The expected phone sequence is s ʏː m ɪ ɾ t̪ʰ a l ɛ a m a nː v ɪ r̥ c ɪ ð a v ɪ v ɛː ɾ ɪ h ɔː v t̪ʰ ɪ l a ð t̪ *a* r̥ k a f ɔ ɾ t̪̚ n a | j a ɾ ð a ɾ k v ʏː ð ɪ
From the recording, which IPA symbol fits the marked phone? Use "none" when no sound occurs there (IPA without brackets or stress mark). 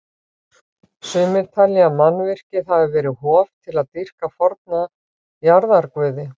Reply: i